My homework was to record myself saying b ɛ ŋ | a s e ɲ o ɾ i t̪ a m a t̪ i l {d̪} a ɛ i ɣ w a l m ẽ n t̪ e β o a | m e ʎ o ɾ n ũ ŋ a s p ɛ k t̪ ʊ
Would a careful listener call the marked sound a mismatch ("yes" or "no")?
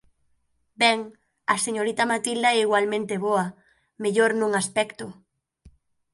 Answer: no